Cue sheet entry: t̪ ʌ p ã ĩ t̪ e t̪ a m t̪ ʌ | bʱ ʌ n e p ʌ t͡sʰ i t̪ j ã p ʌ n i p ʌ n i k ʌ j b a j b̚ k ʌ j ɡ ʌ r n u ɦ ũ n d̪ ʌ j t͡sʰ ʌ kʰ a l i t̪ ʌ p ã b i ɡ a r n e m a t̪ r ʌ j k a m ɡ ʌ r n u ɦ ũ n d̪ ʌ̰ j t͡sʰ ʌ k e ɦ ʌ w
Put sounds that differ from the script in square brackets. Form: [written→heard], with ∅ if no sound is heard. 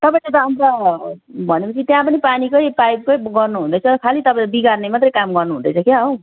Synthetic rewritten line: t̪ ʌ p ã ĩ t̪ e t̪ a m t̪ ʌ | bʱ ʌ n e p ʌ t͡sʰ i t̪ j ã p ʌ n i p [ʌ→a] n i k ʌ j [b→p] a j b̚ k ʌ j ɡ ʌ r n u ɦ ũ n d̪ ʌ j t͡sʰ ʌ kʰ a l i t̪ ʌ p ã b i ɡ a r n e m a t̪ r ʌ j k a m ɡ ʌ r n u ɦ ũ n d̪ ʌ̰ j t͡sʰ ʌ k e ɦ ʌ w